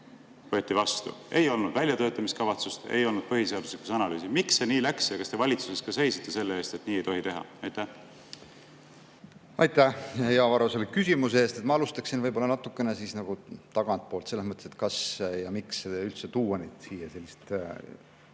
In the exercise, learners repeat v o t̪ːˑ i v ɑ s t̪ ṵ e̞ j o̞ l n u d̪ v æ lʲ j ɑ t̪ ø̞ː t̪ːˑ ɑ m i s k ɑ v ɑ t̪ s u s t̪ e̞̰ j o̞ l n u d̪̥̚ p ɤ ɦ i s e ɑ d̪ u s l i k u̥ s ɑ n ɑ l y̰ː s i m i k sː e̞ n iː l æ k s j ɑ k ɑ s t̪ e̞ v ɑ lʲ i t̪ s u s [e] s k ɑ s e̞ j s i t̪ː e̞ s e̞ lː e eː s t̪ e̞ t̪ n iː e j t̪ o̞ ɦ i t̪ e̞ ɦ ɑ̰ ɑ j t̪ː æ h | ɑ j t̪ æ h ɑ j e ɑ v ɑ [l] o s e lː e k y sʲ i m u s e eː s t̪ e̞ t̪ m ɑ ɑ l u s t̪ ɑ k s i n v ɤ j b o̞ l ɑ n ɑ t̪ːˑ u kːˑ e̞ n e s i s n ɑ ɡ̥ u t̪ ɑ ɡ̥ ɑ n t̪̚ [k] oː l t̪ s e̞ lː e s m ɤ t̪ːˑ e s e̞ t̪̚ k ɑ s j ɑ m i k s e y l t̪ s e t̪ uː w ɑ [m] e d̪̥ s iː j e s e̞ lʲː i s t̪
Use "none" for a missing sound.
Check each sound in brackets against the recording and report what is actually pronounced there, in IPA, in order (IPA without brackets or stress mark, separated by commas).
e, ɾ, p, n